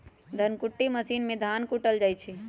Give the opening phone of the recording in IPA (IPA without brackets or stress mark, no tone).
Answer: d̪ʱ